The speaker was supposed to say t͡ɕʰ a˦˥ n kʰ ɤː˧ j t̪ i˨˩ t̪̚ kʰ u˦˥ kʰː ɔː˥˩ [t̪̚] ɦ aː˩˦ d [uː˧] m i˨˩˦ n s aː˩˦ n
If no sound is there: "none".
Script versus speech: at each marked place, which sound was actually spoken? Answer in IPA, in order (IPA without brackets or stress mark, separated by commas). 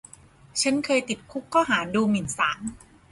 none, uː˧